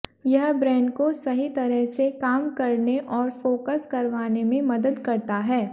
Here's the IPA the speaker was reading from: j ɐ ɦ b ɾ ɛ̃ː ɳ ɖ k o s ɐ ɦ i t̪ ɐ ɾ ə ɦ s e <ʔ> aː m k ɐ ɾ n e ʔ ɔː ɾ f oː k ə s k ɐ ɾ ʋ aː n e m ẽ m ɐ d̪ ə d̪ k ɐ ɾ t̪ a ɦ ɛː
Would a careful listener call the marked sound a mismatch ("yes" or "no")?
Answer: yes